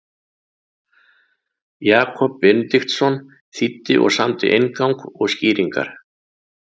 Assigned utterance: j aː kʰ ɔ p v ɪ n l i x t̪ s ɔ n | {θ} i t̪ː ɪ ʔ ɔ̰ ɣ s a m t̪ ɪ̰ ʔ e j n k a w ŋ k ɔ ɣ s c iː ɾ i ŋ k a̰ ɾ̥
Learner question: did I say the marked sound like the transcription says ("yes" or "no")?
yes